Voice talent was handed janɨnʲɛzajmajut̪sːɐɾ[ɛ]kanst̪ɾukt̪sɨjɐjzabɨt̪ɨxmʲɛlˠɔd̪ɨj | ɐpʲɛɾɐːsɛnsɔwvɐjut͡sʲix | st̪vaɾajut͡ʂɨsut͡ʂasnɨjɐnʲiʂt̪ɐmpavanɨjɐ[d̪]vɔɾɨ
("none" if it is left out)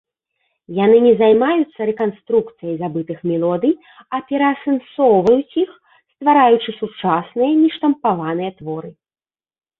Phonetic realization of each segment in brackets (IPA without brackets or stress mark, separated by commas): ɛ, t̪